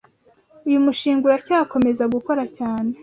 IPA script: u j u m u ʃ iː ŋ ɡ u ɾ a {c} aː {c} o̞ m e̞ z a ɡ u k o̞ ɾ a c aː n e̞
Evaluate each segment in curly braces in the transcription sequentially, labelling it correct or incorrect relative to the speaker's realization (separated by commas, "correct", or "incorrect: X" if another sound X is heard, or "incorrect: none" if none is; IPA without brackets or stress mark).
correct, incorrect: k